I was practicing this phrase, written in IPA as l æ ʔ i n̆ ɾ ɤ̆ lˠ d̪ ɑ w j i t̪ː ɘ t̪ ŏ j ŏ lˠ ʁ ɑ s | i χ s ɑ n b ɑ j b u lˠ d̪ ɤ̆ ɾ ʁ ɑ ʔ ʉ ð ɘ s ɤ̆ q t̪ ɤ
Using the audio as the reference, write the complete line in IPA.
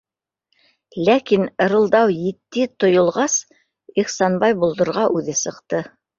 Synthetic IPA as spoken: l æ k i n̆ ɾ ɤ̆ lˠ d̪ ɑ w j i t̪ː ɘ t̪ ŏ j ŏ lˠ ʁ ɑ s | i χ s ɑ n b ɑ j b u lˠ d̪ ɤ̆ ɾ ʁ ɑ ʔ ʉ ð ɘ s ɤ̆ q t̪ ɤ